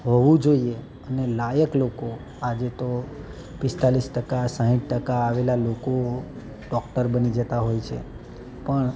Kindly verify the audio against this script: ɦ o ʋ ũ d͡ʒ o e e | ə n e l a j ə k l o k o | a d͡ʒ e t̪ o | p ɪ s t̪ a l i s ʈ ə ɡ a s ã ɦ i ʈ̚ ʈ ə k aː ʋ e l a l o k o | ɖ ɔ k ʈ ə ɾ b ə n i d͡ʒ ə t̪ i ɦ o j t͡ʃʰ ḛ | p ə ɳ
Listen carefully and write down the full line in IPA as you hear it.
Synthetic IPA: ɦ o ʋ ũ d͡ʒ o i e | ə n e l a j ə k l o k o | a d͡ʒ e t̪ o | p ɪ s t̪ a l i s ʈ ə k a s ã ɦ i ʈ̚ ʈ ə k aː ʋ e l a l o k o | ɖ ɔ k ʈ ə ɾ b ə n i d͡ʒ ə t̪ a ɦ o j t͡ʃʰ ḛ | p ə ɳ